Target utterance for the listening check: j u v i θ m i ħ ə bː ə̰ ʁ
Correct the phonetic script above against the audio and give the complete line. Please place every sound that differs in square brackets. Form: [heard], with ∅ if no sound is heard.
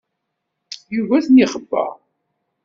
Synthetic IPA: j u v [æ] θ [n] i [χ] ə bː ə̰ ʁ